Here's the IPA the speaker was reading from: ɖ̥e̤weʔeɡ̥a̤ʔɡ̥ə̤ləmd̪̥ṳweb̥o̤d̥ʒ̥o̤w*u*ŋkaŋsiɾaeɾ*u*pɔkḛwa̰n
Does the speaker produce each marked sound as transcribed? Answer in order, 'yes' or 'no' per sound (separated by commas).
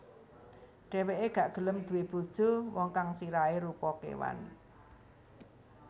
no, yes